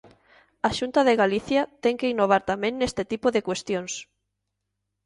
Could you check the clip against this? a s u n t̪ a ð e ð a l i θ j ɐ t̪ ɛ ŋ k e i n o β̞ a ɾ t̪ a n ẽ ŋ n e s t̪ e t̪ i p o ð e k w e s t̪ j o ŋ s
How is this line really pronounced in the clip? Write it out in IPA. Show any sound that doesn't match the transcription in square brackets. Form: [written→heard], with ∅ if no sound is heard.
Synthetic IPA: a [s→ʃ] u n t̪ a ð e [ð→ɣ] a l i θ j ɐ t̪ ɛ ŋ k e i n o β̞ a ɾ t̪ a [n→m] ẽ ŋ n e s t̪ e t̪ i p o ð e k w e s t̪ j o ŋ s